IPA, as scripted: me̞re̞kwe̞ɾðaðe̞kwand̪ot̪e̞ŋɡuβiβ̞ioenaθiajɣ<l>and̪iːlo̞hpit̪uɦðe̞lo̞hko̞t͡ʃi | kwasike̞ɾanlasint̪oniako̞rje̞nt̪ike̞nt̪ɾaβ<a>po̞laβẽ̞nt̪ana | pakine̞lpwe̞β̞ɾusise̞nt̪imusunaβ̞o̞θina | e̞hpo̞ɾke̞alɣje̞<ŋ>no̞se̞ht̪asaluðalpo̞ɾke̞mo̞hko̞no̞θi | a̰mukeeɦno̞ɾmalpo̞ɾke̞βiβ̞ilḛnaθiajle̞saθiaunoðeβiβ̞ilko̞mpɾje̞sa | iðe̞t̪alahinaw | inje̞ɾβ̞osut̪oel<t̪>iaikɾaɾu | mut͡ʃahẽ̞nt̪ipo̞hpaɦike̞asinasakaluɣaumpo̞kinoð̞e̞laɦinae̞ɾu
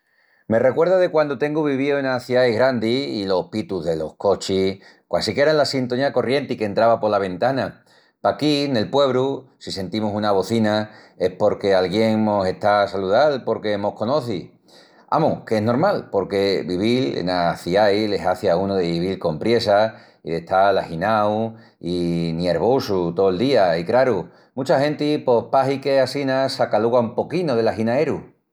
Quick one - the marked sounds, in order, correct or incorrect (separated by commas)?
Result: incorrect, correct, correct, incorrect